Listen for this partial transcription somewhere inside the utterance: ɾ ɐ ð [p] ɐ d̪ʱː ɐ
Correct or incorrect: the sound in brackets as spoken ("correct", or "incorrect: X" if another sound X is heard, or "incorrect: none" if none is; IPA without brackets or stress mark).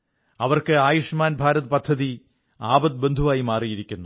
correct